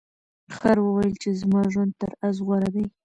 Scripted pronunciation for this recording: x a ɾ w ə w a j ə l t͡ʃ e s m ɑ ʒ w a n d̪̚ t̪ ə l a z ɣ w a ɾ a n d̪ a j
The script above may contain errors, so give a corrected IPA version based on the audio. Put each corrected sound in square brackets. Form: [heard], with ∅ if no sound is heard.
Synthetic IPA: x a ɾ w ə w a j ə l t͡ʃ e [z] m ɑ ʒ w a n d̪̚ t̪ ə [ɾ] a z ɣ w a ɾ a [∅] d̪ a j